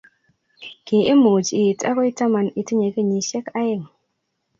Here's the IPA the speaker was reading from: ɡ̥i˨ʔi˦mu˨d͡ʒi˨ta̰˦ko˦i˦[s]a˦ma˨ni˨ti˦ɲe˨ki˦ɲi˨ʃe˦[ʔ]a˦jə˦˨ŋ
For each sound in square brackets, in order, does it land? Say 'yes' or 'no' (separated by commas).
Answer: no, no